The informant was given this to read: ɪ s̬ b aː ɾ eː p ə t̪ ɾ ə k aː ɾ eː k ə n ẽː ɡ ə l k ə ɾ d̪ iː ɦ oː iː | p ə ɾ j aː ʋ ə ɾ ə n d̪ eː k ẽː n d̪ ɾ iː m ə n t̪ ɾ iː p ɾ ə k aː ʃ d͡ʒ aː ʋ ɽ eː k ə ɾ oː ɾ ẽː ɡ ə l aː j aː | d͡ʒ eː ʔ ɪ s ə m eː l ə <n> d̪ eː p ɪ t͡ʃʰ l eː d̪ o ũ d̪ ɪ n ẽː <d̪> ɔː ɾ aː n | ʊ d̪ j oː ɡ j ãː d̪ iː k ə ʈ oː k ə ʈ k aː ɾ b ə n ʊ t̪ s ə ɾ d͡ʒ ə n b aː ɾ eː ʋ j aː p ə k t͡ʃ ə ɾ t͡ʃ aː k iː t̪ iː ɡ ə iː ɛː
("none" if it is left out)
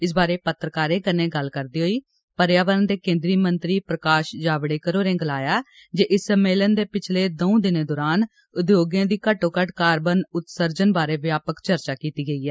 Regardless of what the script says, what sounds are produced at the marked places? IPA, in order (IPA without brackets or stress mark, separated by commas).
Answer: n, d̪